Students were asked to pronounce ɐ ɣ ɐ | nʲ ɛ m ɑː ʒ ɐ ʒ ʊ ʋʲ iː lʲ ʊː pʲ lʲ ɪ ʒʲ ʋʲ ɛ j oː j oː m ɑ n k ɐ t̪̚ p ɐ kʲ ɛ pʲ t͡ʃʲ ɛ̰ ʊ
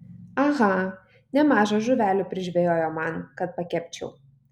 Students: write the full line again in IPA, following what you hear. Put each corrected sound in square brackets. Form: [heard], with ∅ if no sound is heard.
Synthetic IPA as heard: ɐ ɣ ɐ | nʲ ɛ m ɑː ʒ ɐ ʒ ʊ ʋʲ [æː] lʲ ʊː pʲ [ɾʲ] ɪ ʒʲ ʋʲ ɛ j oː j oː m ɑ n k ɐ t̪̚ p ɐ kʲ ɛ pʲ t͡ʃʲ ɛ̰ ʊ